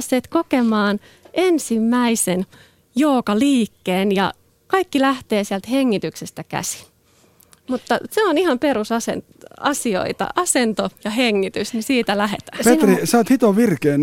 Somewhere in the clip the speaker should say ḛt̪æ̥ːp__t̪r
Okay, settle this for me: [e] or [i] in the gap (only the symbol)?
e